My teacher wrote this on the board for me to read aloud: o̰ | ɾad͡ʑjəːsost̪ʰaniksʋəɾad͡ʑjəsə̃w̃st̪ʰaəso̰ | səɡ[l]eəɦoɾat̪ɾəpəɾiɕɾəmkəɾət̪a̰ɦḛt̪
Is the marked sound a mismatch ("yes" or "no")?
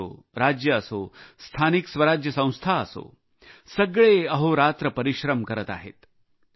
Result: yes